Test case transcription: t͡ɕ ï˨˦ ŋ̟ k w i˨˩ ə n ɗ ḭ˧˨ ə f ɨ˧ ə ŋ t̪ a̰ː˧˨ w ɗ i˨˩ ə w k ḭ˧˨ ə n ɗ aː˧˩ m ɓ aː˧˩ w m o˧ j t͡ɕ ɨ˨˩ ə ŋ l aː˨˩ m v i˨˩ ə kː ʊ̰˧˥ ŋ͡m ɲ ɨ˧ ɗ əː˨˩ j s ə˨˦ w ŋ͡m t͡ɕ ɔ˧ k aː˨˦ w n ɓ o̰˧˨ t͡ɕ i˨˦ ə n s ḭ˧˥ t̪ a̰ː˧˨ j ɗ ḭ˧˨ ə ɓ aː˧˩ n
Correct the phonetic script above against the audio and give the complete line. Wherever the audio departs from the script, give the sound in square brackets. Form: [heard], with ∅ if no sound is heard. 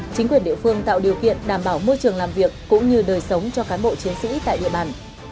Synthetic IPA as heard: t͡ɕ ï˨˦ ŋ̟ k w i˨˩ ə n ɗ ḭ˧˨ ə f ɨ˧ ə ŋ t̪ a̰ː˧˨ w ɗ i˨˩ ə w k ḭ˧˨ ə n ɗ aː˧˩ m ɓ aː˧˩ w m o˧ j t͡ɕ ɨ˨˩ ə ŋ l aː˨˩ m v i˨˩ ə kː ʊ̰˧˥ ŋ͡m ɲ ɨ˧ ɗ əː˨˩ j s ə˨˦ w ŋ͡m t͡ɕ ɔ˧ k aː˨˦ [∅] n ɓ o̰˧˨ t͡ɕ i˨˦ ə n s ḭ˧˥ t̪ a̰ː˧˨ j ɗ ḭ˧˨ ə ɓ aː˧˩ n

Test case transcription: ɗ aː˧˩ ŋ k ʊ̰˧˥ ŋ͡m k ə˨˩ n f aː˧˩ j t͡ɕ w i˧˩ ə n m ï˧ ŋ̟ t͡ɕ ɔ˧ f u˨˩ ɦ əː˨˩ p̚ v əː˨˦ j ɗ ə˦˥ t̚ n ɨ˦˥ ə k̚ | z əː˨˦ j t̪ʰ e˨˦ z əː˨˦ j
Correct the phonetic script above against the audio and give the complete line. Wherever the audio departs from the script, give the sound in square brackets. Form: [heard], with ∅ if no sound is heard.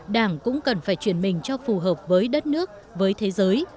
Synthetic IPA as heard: ɗ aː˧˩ ŋ k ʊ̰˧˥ ŋ͡m k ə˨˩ n f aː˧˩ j t͡ɕ w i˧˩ ə n m [ï˨˩] ŋ̟ t͡ɕ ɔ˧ f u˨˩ ɦ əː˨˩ p̚ v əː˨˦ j ɗ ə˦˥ t̚ n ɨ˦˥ ə k̚ | [v] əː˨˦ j t̪ʰ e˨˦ z əː˨˦ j

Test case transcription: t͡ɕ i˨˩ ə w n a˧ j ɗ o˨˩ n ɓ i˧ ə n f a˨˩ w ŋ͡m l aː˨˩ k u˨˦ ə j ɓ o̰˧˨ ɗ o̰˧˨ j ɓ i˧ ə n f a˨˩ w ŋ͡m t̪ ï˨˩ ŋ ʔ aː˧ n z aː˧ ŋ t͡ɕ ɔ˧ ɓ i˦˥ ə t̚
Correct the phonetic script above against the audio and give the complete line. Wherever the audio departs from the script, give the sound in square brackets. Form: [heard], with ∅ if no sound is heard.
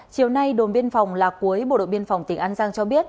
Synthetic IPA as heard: t͡ɕ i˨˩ ə w n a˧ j ɗ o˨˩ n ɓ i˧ ə n f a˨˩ w ŋ͡m l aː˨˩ k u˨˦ ə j ɓ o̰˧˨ ɗ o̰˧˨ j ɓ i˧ ə n f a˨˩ w ŋ͡m t̪ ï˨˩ ŋ ʔ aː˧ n z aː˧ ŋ t͡ɕ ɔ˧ ɓ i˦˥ ə t̚

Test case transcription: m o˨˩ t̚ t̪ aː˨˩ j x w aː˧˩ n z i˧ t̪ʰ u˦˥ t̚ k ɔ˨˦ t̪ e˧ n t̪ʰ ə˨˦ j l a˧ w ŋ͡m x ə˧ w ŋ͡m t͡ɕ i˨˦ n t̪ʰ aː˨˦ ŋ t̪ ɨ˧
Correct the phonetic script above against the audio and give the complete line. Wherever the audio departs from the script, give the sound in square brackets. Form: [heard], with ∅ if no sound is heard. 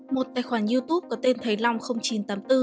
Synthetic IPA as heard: m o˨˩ t̚ t̪ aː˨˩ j x w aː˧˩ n z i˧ [t̪] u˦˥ [p̚] k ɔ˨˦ t̪ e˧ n t̪ʰ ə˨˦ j l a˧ w ŋ͡m x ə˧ w ŋ͡m t͡ɕ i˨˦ n [t̪] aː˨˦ [m] t̪ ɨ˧

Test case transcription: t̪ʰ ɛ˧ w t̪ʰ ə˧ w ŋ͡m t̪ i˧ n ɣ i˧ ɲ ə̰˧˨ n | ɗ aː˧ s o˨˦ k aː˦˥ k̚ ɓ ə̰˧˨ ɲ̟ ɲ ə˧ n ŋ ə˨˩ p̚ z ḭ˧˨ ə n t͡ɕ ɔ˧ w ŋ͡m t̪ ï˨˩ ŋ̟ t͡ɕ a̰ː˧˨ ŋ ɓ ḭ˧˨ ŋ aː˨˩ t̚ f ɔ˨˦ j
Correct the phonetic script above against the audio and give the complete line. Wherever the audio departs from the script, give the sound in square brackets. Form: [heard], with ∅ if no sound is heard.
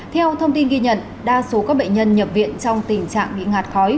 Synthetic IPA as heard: t̪ʰ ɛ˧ w t̪ʰ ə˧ w ŋ͡m t̪ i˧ n ɣ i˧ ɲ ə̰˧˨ n | ɗ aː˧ s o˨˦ k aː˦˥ k̚ ɓ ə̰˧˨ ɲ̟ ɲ ə˧ n [ɲ] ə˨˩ p̚ [v] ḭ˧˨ ə n t͡ɕ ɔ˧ w ŋ͡m t̪ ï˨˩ ŋ̟ t͡ɕ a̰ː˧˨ ŋ ɓ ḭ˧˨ ŋ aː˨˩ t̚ [x] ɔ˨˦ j

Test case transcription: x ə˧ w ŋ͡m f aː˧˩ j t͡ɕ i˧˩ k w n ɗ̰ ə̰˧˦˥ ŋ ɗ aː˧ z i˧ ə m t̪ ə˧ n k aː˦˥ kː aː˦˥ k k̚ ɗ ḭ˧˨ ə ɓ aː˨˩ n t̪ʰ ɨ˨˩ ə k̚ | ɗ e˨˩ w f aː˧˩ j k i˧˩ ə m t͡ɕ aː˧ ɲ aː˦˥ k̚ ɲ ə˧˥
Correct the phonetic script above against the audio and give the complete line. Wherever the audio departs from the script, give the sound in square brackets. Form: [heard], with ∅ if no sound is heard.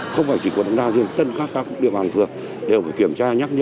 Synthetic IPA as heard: x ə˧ w ŋ͡m f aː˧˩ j t͡ɕ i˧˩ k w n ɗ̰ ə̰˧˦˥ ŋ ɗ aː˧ z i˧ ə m t̪ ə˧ n k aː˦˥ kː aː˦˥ k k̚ ɗ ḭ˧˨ ə ɓ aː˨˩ n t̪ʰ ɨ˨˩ ə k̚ | ɗ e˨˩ w f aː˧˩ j k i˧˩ ə m t͡ɕ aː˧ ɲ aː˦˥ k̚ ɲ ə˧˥

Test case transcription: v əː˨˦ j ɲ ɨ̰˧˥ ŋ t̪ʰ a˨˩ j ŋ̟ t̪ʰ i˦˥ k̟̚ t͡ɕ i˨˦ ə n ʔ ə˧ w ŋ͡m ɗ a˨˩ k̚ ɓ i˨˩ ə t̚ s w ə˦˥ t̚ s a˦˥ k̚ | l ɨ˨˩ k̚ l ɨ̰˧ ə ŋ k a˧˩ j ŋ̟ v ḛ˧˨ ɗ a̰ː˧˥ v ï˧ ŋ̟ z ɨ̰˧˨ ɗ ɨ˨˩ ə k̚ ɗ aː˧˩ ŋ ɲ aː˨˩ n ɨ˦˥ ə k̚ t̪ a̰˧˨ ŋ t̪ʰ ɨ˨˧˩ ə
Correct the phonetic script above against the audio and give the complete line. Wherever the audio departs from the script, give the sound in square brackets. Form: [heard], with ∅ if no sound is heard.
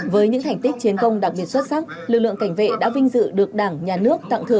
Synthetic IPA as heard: v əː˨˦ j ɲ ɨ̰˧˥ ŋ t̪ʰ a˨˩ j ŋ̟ [t̪] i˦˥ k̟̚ t͡ɕ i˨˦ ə n [k] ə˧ w ŋ͡m ɗ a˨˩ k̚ ɓ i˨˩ ə t̚ s w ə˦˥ t̚ s a˦˥ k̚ | l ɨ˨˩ k̚ l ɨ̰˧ ə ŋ k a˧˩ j ŋ̟ v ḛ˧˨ ɗ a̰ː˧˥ v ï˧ ŋ̟ z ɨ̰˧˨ ɗ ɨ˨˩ ə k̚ ɗ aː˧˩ ŋ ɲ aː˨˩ n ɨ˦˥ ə k̚ t̪ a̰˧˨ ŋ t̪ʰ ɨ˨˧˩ ə

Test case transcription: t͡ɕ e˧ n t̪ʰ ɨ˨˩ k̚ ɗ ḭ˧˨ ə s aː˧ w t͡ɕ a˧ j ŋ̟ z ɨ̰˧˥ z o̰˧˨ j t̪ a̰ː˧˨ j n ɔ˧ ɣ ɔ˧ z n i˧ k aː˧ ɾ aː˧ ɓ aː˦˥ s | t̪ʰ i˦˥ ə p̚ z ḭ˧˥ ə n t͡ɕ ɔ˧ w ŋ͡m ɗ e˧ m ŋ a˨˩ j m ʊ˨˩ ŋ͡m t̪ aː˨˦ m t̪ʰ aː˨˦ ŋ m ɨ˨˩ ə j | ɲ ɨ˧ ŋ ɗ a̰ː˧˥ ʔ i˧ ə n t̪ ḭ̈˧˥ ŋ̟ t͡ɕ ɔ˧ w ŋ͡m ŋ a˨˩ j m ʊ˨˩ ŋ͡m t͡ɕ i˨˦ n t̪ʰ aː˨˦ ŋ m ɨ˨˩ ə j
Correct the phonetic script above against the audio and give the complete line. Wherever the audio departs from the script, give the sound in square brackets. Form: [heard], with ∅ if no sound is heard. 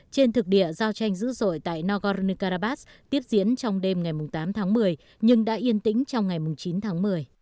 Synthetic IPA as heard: t͡ɕ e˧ n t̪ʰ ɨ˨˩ k̚ ɗ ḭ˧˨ ə [z] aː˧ w t͡ɕ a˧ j ŋ̟ z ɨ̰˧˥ z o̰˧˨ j t̪ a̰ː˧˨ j n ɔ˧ ɣ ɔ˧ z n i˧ k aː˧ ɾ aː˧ ɓ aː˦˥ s | [t̪] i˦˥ ə p̚ z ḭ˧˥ ə n t͡ɕ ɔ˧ w ŋ͡m ɗ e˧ m ŋ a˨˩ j m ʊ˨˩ ŋ͡m t̪ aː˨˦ m t̪ʰ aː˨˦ ŋ m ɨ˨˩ ə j | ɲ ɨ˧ ŋ ɗ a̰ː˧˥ ʔ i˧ ə n t̪ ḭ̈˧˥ ŋ̟ t͡ɕ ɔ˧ w ŋ͡m ŋ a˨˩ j m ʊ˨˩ ŋ͡m t͡ɕ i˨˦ n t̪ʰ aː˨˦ ŋ m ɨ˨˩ ə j

